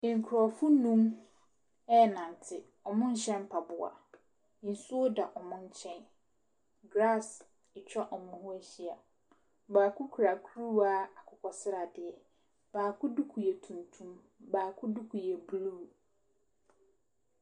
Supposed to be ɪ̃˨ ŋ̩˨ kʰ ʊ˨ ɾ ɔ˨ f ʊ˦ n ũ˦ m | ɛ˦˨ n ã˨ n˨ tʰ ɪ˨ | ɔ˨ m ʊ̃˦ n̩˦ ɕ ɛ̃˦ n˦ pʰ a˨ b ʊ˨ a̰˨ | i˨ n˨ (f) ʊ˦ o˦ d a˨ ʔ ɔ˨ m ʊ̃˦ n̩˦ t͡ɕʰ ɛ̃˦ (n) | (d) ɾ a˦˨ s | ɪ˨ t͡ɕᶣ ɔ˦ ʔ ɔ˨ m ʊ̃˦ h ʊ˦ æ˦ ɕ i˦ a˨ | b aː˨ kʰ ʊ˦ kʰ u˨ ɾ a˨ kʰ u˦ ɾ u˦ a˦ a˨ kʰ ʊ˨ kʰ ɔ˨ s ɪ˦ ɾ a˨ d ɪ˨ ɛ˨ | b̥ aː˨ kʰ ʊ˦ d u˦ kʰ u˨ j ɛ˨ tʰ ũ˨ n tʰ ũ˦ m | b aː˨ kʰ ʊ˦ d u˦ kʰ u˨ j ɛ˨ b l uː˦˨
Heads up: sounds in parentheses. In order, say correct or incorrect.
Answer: incorrect: s, correct, incorrect: ɡ

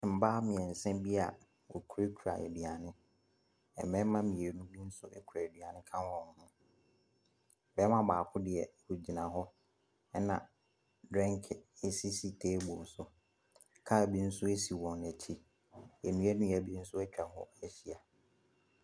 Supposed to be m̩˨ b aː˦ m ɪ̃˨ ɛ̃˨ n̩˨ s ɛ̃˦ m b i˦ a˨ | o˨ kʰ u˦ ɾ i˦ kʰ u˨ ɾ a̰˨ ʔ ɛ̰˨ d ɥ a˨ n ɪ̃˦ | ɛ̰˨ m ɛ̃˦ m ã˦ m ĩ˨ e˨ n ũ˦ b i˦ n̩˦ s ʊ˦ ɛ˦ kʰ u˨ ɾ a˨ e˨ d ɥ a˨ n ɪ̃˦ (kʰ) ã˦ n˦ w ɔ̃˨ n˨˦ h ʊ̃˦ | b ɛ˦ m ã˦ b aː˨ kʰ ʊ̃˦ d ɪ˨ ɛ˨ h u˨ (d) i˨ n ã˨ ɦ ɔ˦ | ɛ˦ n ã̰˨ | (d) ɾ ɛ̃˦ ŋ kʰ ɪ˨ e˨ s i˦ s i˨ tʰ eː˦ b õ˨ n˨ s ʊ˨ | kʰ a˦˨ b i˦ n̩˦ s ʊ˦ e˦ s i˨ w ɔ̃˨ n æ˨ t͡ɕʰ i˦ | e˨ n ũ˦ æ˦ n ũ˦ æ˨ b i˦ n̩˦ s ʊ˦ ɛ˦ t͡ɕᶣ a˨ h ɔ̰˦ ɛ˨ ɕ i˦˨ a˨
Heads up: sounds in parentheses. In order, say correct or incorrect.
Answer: correct, incorrect: d͡ʑ, correct

